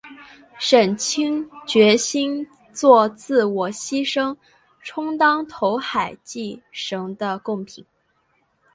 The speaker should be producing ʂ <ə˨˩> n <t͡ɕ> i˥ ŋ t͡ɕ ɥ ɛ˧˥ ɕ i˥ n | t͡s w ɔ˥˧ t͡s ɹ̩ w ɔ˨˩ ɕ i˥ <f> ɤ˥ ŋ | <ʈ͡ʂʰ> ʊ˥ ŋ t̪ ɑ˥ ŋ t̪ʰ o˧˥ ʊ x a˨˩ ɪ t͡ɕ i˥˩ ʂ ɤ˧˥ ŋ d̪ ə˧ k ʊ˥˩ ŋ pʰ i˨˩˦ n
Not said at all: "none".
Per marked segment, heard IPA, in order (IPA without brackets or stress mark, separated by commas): ə˨˩, t͡ɕʰ, ʂ, ʈ͡ʂʰ